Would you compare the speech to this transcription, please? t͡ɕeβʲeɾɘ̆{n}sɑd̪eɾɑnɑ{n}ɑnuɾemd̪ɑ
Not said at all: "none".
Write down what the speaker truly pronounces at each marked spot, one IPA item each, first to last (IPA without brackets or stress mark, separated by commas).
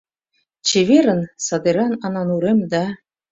n, n